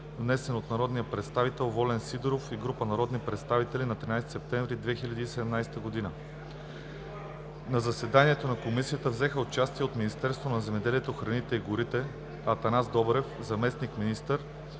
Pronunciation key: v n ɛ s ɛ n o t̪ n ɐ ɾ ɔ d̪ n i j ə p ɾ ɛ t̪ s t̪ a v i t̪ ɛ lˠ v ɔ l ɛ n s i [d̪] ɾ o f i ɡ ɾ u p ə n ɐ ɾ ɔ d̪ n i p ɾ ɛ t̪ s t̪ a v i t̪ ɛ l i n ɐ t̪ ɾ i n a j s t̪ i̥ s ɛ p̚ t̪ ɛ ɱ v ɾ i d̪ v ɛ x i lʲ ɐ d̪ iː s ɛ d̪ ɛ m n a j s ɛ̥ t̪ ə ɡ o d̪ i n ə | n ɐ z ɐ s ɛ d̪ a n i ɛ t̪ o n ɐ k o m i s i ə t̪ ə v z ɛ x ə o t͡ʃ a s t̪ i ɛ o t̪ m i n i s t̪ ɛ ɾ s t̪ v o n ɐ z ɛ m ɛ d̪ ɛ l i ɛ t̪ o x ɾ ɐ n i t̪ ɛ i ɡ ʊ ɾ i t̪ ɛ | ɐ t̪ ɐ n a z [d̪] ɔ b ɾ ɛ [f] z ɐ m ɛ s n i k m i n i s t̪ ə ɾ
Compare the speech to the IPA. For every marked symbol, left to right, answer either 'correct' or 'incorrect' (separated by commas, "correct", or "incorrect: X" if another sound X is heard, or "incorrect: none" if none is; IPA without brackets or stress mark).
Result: correct, correct, correct